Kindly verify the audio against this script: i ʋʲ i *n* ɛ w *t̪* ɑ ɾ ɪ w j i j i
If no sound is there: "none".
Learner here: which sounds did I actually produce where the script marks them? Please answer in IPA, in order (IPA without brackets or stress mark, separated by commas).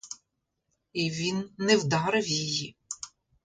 nː, d̪